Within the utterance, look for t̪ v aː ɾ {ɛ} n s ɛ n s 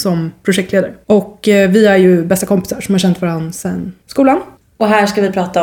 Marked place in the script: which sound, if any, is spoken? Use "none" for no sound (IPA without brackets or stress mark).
a